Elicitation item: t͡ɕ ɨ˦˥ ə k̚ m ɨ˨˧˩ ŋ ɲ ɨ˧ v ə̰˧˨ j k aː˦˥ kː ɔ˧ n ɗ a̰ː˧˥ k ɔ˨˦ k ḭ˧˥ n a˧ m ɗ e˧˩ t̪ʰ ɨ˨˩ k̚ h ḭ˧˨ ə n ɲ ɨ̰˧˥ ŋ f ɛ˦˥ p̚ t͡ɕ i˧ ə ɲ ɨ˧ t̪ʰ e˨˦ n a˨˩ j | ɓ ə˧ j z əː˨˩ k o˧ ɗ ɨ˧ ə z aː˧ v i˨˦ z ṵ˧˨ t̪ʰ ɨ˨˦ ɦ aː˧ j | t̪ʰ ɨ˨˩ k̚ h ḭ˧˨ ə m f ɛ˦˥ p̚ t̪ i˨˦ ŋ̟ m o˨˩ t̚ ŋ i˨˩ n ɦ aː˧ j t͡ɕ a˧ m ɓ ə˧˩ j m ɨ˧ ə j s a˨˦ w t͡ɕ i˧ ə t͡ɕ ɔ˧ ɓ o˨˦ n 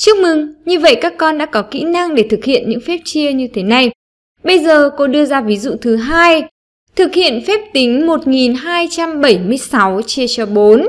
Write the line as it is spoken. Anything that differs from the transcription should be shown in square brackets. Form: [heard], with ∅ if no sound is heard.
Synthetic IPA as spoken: t͡ɕ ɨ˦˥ ə k̚ m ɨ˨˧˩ ŋ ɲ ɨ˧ v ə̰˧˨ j k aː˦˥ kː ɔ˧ n ɗ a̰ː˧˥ k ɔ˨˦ k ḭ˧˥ n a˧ [ŋ] ɗ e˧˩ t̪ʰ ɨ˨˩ k̚ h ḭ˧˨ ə n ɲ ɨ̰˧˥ ŋ f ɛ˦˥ p̚ t͡ɕ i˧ ə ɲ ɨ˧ t̪ʰ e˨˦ n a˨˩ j | ɓ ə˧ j z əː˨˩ k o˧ ɗ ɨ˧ ə z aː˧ v i˨˦ z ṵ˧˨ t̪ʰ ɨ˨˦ ɦ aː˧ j | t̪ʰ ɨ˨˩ k̚ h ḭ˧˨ ə [n] f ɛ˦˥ p̚ t̪ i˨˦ ŋ̟ m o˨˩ t̚ ŋ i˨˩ n ɦ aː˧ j t͡ɕ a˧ m ɓ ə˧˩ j m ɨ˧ ə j s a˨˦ w t͡ɕ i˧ ə t͡ɕ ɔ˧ ɓ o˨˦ n

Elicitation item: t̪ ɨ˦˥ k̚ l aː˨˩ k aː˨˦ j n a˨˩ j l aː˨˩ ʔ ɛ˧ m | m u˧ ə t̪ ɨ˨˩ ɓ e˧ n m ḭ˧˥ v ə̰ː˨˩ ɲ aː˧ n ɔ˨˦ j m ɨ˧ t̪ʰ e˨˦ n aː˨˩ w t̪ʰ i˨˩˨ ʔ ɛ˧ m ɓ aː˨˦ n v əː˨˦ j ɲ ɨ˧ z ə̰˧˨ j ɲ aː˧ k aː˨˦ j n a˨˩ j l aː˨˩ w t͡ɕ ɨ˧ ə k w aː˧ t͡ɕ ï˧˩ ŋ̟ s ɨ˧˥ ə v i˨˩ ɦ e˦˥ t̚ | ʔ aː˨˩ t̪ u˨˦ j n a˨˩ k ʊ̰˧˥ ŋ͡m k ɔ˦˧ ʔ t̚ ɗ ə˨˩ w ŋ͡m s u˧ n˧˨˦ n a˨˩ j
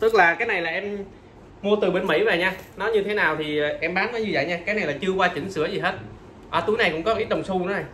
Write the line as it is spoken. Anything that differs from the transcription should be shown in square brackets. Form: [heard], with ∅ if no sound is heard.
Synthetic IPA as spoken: t̪ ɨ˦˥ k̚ l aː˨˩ k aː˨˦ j n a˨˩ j l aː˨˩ ʔ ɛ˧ m | m u˧ ə t̪ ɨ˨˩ ɓ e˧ n m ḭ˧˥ v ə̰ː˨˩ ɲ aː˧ n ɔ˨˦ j [ɲ] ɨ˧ t̪ʰ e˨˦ n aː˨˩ w t̪ʰ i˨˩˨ ʔ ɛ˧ m ɓ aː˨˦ n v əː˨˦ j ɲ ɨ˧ [v] ə̰˧˨ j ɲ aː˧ k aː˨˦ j n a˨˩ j l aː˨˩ [∅] t͡ɕ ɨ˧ ə k w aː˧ t͡ɕ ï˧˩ ŋ̟ s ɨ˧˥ ə [z] i˨˩ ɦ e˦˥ t̚ | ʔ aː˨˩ t̪ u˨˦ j n a˨˩ k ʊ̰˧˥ ŋ͡m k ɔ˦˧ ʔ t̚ ɗ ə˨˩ w ŋ͡m s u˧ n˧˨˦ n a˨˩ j

